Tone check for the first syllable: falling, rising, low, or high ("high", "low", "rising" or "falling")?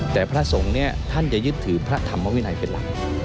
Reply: low